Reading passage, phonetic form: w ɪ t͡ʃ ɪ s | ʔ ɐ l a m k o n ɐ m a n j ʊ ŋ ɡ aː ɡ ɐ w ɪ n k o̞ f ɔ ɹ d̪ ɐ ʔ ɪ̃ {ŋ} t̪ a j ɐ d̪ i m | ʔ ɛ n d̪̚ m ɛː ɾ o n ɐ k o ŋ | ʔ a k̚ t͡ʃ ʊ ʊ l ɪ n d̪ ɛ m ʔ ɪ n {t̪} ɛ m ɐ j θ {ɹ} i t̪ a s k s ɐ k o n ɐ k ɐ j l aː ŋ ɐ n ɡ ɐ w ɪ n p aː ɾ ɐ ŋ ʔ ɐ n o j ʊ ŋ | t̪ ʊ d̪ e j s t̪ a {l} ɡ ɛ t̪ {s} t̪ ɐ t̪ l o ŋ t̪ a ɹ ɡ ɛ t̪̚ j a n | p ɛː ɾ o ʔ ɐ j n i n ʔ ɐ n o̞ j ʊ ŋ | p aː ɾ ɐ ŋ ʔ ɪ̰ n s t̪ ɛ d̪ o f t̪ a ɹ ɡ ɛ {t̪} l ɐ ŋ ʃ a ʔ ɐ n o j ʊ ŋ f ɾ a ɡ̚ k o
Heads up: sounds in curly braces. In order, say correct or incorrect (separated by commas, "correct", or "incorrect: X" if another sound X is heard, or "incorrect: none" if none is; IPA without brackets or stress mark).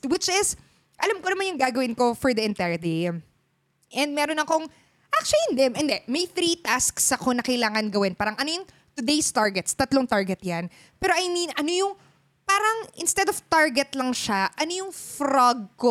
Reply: incorrect: n, incorrect: d̪, incorrect: ɾ, incorrect: ɹ, correct, correct